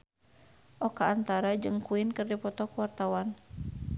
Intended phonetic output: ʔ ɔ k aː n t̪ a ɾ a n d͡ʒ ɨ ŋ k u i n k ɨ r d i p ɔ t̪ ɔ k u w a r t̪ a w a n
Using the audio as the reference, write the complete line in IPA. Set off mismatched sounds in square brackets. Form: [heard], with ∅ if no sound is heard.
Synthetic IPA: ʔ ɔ k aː n t̪ a ɾ a [∅] d͡ʒ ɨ ŋ k u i n k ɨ r d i p ɔ t̪ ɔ k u w a r t̪ a w a n